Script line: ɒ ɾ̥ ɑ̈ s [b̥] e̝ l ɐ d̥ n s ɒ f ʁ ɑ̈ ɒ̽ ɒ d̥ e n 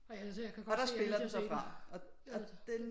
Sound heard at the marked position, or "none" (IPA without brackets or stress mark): b̥